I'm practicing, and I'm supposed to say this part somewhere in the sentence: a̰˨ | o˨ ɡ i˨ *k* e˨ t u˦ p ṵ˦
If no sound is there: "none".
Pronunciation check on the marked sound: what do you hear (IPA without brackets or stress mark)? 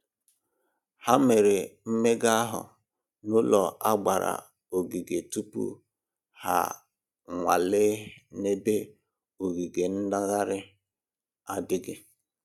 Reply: ɡ